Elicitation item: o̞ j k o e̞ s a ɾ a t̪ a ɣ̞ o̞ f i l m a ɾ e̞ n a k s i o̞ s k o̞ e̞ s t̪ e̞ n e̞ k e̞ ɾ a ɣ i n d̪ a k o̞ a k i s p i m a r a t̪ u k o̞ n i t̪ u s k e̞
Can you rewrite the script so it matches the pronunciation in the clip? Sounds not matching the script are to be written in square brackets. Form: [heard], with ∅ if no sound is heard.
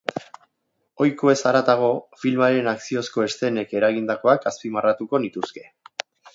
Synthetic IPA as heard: o̞ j k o e̞ s a ɾ a t̪ a ɣ̞ o̞ f i l m a ɾ e̞ n a k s i o̞ s k o̞ e̞ s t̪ e̞ n e̞ k e̞ ɾ a ɣ i n d̪ a k o̞ a k [a] s p i m a r a t̪ u k o̞ n i t̪ u s k e̞